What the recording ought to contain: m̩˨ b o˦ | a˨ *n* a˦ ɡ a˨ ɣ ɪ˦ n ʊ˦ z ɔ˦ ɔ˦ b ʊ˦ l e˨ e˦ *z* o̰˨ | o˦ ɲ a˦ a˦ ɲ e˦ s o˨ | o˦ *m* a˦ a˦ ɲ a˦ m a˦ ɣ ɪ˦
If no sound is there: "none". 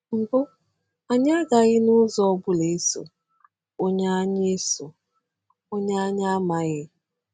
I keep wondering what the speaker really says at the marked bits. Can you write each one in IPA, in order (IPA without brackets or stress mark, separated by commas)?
ɲ, s, ɲ